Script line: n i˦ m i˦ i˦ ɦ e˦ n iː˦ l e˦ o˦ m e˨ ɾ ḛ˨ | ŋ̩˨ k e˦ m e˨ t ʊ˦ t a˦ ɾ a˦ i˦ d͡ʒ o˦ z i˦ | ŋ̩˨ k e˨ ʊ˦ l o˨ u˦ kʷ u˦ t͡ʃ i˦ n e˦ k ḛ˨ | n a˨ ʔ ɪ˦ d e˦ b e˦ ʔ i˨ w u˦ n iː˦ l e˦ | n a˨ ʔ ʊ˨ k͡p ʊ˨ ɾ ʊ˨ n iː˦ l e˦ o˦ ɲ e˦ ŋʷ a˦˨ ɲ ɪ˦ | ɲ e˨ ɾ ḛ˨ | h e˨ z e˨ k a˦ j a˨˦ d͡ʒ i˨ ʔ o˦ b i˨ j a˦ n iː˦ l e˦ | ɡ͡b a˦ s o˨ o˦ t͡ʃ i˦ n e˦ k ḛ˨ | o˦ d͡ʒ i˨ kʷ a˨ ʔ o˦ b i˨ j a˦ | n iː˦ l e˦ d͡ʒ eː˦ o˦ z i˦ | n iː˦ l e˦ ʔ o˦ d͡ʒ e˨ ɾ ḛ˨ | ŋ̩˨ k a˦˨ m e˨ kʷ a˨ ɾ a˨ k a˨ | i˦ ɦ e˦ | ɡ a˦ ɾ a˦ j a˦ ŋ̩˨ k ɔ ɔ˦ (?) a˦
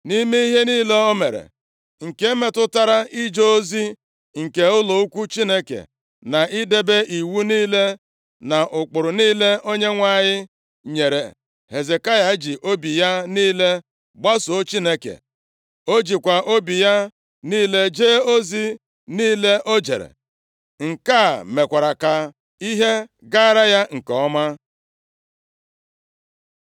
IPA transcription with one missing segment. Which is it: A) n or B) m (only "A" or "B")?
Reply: B